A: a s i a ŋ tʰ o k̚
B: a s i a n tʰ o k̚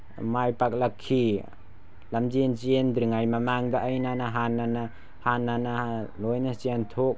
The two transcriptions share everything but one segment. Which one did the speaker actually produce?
B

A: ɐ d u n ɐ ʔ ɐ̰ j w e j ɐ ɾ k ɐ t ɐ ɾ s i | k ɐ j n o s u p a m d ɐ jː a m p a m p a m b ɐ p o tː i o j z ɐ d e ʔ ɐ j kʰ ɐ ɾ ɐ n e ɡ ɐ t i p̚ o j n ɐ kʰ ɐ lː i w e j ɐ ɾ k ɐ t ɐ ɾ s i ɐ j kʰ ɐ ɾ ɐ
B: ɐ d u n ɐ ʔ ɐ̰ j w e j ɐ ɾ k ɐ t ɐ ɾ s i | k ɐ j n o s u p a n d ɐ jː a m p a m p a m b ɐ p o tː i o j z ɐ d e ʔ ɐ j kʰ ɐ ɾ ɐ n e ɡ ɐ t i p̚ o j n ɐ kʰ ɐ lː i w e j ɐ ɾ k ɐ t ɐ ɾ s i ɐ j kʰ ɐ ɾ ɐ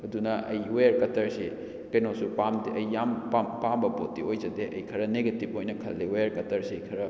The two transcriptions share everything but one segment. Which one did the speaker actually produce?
A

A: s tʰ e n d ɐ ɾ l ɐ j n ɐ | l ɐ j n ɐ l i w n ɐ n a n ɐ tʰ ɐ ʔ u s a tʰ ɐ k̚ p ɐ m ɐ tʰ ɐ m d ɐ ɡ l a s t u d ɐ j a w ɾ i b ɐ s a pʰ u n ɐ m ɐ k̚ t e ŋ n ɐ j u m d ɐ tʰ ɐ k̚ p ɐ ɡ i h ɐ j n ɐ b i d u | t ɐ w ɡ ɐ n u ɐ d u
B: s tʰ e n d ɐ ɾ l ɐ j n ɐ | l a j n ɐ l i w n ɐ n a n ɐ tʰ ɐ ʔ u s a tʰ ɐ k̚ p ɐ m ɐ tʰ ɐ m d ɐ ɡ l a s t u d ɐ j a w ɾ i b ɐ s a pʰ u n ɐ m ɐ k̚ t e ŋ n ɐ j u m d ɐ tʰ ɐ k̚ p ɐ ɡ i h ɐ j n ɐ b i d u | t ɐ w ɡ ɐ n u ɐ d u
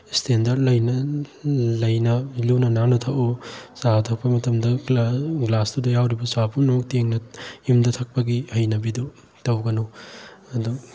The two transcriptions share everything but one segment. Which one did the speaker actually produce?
A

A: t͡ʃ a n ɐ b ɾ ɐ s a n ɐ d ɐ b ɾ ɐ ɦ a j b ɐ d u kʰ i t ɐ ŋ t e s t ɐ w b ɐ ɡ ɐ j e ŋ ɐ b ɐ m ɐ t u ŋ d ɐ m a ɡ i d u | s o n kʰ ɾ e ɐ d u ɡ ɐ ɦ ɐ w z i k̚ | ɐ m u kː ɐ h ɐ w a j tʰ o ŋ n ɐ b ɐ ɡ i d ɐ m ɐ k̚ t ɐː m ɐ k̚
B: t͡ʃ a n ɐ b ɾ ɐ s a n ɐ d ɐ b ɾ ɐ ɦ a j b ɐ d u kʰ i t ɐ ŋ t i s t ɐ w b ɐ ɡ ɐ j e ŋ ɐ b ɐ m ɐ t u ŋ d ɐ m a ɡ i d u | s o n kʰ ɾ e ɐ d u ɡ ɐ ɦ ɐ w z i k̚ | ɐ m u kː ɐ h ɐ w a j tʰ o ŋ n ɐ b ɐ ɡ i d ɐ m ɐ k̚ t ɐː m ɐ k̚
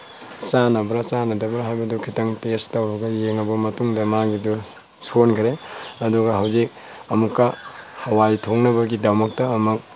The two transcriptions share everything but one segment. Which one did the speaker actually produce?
A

